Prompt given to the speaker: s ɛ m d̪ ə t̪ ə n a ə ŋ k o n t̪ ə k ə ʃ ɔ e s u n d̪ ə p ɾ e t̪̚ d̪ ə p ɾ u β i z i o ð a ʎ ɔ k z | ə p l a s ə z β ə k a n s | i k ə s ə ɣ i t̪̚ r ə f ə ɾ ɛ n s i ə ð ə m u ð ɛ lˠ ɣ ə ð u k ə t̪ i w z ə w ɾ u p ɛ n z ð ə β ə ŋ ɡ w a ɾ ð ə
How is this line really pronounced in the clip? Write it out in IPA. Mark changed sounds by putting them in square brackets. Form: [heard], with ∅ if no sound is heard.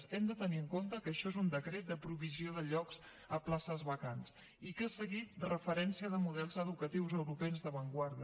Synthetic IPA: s ɛ m d̪ ə t̪ ə n [i] ə ŋ k o n t̪ ə k ə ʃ ɔ e [z] u n d̪ ə [k] ɾ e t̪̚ d̪ ə p ɾ u β i z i o ð [ə] ʎ ɔ k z | ə p l a s ə z β ə k a n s | i k ə s ə ɣ i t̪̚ r ə f ə ɾ ɛ n s i ə ð ə m u ð ɛ lˠ [z] ə ð u k ə t̪ i w z ə w ɾ u p ɛ n z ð ə β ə ŋ ɡ w a ɾ ð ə